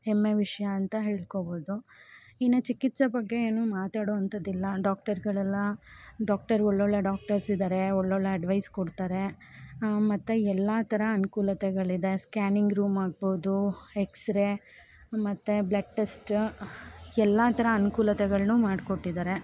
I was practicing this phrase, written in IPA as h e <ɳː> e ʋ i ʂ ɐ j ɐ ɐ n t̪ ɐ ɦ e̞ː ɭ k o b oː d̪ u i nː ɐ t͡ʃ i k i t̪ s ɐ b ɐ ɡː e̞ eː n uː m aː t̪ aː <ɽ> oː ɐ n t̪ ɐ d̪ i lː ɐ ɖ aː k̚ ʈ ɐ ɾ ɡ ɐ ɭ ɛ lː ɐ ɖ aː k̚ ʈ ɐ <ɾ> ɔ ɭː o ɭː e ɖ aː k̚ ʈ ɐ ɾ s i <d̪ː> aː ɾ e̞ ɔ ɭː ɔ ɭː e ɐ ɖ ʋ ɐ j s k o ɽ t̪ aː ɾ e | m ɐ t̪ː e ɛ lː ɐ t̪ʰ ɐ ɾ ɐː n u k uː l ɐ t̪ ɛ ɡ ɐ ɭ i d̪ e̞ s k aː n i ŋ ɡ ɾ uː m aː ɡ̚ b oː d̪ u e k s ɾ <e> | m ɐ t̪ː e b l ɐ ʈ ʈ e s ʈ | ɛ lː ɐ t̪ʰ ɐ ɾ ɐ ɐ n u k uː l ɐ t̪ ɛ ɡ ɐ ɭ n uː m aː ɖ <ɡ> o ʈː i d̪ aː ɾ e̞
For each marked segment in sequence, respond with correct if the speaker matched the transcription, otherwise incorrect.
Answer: incorrect: mː, correct, correct, incorrect: d̪, correct, incorrect: k

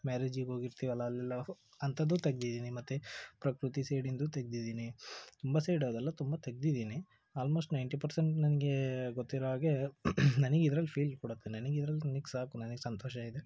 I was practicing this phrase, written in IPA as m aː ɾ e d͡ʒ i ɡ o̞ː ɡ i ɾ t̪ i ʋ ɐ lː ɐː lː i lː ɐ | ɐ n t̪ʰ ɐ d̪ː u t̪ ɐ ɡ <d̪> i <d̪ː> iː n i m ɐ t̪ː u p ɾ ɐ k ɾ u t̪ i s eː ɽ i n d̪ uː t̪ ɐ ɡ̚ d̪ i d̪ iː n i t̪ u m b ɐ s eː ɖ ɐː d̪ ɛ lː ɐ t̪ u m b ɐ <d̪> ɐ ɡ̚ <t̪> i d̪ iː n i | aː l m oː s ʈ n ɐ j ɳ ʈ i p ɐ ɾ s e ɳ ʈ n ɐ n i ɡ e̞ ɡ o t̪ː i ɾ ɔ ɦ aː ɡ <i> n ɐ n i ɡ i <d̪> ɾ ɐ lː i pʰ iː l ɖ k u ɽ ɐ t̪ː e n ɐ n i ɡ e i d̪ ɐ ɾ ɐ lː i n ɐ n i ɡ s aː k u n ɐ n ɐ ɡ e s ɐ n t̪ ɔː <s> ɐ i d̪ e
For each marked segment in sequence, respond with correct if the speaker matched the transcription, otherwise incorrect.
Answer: correct, incorrect: d̪, incorrect: t̪, incorrect: d̪, incorrect: e, correct, incorrect: ʃ

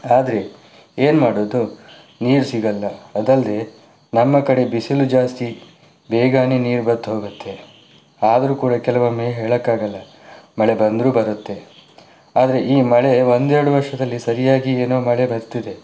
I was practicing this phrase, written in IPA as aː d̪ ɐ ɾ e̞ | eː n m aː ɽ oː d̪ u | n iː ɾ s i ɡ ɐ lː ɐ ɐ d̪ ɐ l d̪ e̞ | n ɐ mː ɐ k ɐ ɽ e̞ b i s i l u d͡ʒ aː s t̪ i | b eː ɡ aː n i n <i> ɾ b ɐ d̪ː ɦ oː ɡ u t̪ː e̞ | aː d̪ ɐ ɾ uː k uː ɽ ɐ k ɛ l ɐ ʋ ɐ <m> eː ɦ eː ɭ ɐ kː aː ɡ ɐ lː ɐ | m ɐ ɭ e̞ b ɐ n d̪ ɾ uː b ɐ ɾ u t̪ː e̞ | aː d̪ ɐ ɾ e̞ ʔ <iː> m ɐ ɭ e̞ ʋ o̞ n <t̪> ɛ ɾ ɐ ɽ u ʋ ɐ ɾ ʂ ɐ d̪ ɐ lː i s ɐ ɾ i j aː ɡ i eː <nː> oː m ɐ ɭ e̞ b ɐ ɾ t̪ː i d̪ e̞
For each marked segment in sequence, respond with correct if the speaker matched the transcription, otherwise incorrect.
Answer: incorrect: iː, correct, correct, incorrect: d̪, incorrect: n

